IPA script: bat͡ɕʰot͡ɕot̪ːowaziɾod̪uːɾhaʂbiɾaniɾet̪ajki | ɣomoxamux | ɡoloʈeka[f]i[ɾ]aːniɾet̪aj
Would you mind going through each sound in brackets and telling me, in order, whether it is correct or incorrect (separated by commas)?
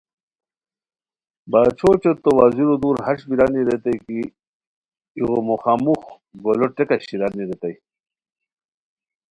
incorrect, correct